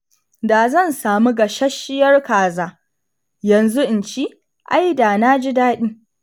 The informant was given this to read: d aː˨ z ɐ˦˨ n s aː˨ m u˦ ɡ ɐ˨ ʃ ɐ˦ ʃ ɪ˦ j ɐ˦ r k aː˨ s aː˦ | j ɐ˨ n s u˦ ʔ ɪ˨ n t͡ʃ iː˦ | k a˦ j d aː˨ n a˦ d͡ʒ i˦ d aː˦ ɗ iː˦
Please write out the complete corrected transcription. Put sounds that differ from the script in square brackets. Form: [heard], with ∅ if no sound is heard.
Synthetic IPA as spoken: d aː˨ z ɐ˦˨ n s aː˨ m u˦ ɡ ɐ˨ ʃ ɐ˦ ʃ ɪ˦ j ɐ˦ r k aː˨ [z] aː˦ | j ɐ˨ n [z] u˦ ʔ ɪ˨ n t͡ʃ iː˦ | [ʔ] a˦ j d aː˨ n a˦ d͡ʒ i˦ d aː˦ ɗ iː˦